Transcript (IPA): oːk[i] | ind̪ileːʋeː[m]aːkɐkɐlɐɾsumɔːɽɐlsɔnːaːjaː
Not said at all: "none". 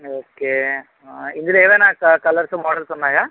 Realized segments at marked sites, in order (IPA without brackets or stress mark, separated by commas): e, n